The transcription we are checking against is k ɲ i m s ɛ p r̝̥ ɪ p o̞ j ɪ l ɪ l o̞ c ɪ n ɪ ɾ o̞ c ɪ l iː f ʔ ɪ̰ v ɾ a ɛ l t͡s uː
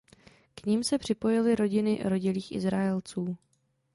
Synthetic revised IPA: k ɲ i m s ɛ p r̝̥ ɪ p o̞ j ɪ l ɪ ɾ o̞ ɟ ɪ n ɪ ɾ o̞ ɟ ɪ l iː x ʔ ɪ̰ z ɾ a ɛ l t͡s uː